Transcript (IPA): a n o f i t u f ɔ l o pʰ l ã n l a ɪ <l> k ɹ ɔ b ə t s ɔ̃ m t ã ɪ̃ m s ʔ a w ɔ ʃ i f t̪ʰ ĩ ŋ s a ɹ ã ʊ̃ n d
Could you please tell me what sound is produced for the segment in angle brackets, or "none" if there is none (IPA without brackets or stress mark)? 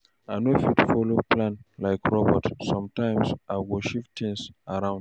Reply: none